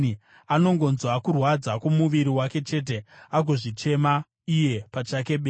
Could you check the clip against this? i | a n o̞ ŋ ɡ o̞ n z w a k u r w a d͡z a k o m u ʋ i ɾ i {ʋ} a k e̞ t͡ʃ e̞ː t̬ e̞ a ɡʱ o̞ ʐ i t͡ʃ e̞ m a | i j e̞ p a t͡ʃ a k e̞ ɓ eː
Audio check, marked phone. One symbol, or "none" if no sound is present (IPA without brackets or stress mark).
w